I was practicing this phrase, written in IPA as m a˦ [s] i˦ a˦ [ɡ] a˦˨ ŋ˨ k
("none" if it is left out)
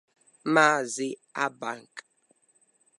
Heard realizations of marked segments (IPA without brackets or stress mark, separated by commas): z, b